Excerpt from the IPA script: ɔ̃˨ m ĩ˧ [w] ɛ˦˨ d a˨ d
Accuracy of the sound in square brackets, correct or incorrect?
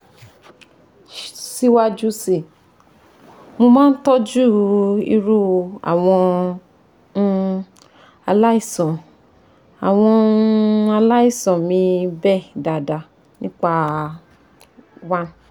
incorrect